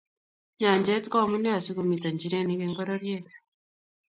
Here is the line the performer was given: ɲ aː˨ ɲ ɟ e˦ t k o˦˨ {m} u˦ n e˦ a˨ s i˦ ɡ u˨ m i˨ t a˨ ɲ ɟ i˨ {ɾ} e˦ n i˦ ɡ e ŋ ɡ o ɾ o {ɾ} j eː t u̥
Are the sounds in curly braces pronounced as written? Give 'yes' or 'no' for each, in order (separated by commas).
yes, yes, yes